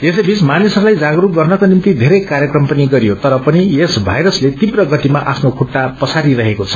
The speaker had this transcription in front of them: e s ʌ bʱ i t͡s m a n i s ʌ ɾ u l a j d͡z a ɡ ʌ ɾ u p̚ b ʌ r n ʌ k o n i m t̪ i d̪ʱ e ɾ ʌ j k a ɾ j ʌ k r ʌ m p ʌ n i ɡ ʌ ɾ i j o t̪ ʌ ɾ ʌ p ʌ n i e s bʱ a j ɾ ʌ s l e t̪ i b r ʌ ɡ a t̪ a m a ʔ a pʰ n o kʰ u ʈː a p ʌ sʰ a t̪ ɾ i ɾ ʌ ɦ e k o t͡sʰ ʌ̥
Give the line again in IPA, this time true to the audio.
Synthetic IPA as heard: e s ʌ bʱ i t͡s m a n i s ʌ ɾ u l a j d͡z a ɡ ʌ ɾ u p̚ ɡ ʌ r n ʌ k o n i m t̪ i d̪ʱ e ɾ ʌ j k a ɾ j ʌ k r ʌ m p ʌ n i ɡ ʌ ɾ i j o t̪ ʌ ɾ ʌ p ʌ n i e s bʱ a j ɾ ʌ s l e t̪ i b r ʌ ɡ ʌ t̪ i m a ʔ a pʰ n o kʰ u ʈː a p ʌ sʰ a ɾ i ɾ ʌ ɦ e k o t͡sʰ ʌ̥

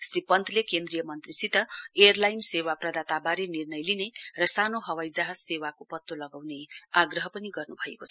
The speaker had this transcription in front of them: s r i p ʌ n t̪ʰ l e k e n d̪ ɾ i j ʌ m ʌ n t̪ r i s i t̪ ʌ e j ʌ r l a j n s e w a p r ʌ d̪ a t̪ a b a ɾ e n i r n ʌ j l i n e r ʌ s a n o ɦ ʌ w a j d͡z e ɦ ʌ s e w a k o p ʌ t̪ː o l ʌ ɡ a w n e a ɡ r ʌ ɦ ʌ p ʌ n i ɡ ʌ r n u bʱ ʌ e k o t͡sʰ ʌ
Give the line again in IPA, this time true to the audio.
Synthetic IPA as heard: s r i p ʌ n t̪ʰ l e k e n d̪ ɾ i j ʌ m ʌ n t̪ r i s i t̪ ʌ e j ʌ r l a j n s e w a p r ʌ d̪ a t̪ a b a ɾ e n i r n ʌ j l i n e r ʌ s a n o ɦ ʌ w a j d͡z a ɦ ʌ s e w a k o p ʌ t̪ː o l ʌ ɡ a w n e a ɡ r ʌ ɦ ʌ p ʌ n i ɡ ʌ r n u bʱ ʌ e k o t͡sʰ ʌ

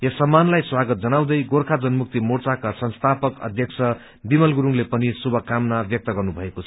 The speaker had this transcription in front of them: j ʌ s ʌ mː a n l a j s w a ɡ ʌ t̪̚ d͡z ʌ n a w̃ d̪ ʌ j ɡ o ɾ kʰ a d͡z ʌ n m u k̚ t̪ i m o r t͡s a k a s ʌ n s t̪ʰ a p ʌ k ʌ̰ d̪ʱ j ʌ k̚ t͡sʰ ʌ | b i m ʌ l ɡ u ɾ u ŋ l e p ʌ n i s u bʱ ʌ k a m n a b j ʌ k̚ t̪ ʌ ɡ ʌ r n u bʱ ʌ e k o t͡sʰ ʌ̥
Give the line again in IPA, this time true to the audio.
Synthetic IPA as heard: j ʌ s ʌ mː a n l a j s w a ɡ ʌ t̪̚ d͡z ʌ n a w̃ d̪ ʌ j ɡ o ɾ kʰ a d͡z ʌ n m u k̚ t̪ i m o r t͡s a k a s ʌ n s t̪ʰ a p ʌ k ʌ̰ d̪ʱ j ʌ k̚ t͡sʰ ʌ | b i m ʌ l ɡ u ɾ u ŋ l e p ʌ n i s u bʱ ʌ k a m n a b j ʌ k̚ t̪ ʌ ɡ ʌ r n u bʱ ʌ e k o t͡sʰ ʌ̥

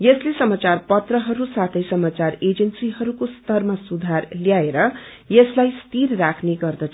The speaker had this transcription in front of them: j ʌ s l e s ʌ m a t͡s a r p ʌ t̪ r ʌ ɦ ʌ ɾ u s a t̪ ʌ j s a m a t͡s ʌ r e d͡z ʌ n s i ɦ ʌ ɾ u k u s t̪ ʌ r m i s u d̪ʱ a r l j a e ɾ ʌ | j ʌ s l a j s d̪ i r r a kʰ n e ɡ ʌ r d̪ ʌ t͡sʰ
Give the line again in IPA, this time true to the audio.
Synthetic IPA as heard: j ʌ s l e s ʌ m a t͡s a r p ʌ t̪ r ʌ ɦ ʌ ɾ u s a t̪ʰ ʌ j s ʌ m a t͡s a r e d͡z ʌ n s i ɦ ʌ ɾ u k o s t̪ ʌ r m a s u d̪ʱ a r l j a e ɾ ʌ | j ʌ s l a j s t̪ i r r a kʰ n e ɡ ʌ r d̪ ʌ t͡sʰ

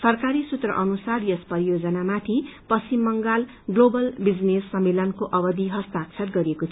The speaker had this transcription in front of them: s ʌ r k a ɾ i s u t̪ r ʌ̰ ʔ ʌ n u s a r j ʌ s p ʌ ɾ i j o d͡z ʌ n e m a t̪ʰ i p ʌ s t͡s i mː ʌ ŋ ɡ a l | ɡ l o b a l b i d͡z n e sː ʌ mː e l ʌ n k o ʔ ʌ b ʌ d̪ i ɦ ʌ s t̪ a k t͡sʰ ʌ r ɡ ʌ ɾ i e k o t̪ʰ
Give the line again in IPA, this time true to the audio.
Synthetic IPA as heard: s ʌ r k a ɾ i s u t̪ r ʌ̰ ʔ ʌ n u s a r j ʌ s p ʌ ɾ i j o d͡z ʌ n a m a t̪ʰ i p ʌ s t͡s i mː ʌ ŋ ɡ a l | ɡ l o b ʌ l b i d͡z n e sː ʌ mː e l ʌ n k o ʔ ʌ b ʌ d̪ i ɦ ʌ s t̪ a k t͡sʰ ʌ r ɡ ʌ ɾ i e k o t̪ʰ

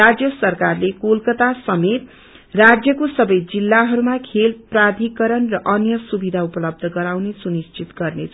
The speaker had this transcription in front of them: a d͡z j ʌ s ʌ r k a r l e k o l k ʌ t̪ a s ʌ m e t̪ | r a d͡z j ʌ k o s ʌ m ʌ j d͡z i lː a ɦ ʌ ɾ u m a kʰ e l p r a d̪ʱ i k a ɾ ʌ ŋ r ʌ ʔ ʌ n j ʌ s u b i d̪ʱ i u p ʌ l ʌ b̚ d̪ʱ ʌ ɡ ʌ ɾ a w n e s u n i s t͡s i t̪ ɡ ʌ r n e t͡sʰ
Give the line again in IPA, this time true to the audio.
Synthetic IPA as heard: a d͡z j ʌ s ʌ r k a r l e k o l k ʌ t̪ a s ʌ m e t̪ | r a d͡z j ʌ k o s ʌ b ʌ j d͡z i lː a ɦ ʌ ɾ u m a kʰ e l p r a d̪ʱ i k ʌ ɾ ʌ n r ʌ ʔ ʌ n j ʌ s u b i d̪ʱ a u p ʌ l ʌ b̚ d̪ʱ ʌ ɡ ʌ ɾ a w n e s u n i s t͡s i t̪ ɡ ʌ r n e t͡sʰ

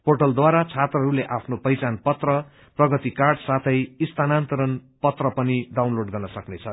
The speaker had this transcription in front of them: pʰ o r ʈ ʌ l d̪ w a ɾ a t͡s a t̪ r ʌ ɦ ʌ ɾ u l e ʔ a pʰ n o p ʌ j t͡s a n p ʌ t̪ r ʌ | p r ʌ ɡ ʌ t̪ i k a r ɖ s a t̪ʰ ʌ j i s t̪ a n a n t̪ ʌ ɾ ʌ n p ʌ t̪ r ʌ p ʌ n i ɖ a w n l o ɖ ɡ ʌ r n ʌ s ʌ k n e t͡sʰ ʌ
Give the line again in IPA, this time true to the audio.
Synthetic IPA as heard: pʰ o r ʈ ʌ l d̪ w a ɾ a t͡sʰ a t̪ r ʌ ɦ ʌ ɾ u l e ʔ a pʰ n o p ʌ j t͡s a n p ʌ t̪ r ʌ | p r ʌ ɡ ʌ t̪ i k a r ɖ s a t̪ʰ ʌ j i s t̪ a n a n t̪ ʌ ɾ ʌ n p ʌ t̪ r ʌ p ʌ n i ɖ a w n l o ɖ ɡ ʌ r n ʌ s ʌ k n e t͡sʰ ʌ

